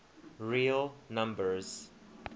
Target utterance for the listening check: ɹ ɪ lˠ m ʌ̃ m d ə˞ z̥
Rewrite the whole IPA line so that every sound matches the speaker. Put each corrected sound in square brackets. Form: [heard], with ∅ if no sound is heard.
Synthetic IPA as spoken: ɹ [i] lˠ [n] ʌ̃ m [b] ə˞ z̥